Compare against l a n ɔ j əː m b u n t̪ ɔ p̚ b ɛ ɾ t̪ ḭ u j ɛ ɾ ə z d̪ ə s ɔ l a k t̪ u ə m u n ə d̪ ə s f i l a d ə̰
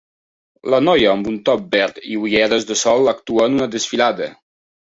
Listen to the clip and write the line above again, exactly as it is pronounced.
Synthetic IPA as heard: l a n ɔ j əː m b u n t̪ ɔ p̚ b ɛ ɾ t̪ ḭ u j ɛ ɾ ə z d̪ ə s ɔ l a k t̪ u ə n u n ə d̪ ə s f i l a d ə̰